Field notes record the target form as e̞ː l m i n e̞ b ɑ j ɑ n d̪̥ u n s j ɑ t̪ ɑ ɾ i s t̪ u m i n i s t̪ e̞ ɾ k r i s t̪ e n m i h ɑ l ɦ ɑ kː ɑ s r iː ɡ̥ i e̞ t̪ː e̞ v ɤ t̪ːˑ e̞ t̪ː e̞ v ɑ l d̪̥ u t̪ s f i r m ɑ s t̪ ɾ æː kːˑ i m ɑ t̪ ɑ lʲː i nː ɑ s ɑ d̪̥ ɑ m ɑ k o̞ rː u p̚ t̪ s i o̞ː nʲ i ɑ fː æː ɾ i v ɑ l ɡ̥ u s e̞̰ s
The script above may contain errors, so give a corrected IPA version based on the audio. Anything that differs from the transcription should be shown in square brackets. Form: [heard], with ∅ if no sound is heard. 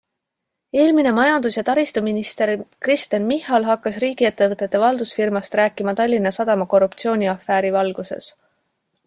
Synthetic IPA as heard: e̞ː l m i n e̞ [m] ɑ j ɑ n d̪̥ u [∅] s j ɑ t̪ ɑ ɾ i s t̪ u m i n i s t̪ e̞ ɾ k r i s t̪ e n m i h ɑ l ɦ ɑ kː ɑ s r iː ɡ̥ i e̞ t̪ː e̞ v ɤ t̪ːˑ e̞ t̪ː e̞ v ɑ l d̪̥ u [∅] s f i r m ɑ s t̪ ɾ æː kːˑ i m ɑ t̪ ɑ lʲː i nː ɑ s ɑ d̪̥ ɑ m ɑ k o̞ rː u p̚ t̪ s i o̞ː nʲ i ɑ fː æː ɾ i v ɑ l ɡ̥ u s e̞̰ s